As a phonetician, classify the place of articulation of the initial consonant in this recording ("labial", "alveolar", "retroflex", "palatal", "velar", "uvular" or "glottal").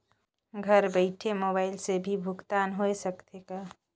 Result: velar